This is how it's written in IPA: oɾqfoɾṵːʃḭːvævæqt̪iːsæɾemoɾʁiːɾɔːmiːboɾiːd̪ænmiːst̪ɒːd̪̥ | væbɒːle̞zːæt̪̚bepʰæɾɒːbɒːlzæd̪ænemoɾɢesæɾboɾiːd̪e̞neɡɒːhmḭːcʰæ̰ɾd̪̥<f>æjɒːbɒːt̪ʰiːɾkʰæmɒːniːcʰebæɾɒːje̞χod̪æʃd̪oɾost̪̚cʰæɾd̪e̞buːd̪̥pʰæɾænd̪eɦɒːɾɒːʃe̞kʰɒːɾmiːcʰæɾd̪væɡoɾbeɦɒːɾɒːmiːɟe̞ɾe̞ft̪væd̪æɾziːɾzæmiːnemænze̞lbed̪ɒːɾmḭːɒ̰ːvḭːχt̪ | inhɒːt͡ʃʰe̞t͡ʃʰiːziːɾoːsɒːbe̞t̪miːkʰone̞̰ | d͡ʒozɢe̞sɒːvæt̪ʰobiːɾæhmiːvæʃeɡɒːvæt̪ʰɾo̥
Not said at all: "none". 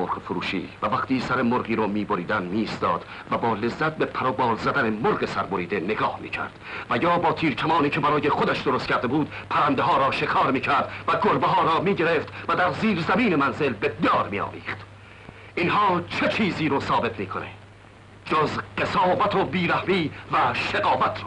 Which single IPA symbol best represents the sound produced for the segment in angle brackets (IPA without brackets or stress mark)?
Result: v